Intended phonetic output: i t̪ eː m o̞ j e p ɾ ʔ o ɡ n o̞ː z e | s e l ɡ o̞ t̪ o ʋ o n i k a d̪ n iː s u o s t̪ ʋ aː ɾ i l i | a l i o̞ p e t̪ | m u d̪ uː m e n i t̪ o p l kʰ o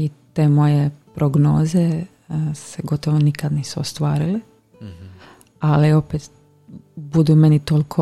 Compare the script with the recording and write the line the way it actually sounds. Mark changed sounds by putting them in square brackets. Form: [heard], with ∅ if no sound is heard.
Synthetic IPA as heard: i t̪ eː m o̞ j e p ɾ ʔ o ɡ n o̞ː z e | s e [∅] ɡ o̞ t̪ o ʋ o n i k a d̪ n iː s u o s t̪ ʋ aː ɾ i l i | a l i o̞ p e t̪ | [b] u d̪ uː m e n i t̪ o [∅] l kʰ o